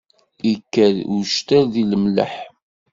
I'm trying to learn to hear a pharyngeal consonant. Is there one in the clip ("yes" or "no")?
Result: yes